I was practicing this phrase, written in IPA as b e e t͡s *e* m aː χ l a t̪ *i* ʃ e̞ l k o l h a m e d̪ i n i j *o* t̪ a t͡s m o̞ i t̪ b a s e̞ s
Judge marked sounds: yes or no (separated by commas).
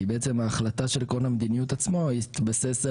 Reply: yes, no, no